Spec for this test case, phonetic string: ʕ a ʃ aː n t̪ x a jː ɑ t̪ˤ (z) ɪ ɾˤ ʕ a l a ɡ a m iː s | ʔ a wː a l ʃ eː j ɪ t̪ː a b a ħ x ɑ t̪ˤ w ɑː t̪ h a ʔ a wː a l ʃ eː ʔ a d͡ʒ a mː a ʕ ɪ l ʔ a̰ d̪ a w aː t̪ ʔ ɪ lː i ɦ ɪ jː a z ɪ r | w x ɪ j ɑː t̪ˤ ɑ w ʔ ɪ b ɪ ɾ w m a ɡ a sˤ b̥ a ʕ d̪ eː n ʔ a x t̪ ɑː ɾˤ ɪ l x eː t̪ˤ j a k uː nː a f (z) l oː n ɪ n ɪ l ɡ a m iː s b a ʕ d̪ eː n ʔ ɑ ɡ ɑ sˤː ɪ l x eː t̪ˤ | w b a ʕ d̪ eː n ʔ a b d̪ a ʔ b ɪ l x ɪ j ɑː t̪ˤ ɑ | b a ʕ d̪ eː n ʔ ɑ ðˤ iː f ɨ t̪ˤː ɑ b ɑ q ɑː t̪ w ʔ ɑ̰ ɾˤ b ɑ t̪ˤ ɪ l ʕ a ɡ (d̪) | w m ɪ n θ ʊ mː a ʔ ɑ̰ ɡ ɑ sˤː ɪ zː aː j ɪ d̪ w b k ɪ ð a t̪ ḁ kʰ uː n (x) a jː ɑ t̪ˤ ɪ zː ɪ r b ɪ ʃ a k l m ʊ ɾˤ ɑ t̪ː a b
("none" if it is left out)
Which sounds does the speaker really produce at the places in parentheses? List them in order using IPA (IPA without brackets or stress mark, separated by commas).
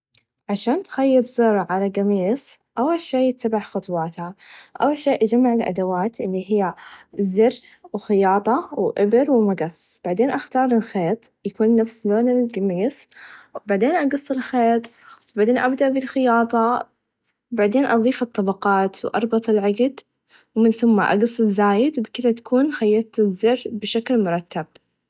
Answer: z, s, d̪, x